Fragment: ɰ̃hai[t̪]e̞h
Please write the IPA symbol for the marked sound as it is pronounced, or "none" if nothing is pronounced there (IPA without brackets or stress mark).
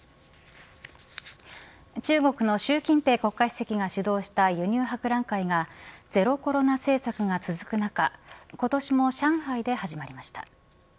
d̪